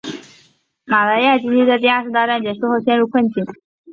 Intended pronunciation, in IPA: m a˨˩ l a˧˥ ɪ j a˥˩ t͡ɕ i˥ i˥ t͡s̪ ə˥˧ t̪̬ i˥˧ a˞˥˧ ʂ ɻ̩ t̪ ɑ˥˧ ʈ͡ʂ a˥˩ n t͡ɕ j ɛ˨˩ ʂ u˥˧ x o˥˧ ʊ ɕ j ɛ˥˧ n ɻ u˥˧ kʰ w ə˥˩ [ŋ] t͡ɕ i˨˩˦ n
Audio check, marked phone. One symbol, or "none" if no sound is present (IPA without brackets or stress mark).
n